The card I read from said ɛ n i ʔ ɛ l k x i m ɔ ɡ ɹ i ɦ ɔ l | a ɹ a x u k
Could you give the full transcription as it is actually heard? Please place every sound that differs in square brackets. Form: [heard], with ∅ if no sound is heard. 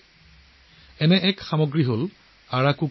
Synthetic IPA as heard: ɛ n [ɛ] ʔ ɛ [∅] k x [a] m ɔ ɡ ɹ i ɦ [o] l | a ɹ a [k] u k